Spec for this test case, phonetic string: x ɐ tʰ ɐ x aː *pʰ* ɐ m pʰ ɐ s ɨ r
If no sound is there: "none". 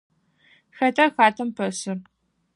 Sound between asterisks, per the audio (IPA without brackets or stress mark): tʰ